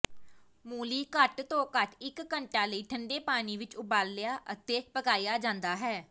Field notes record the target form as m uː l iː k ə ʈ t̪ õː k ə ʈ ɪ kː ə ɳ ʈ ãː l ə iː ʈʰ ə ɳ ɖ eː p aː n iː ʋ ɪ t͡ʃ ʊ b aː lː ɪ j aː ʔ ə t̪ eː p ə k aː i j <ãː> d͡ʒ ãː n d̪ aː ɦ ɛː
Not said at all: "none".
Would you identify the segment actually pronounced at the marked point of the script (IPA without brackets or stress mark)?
aː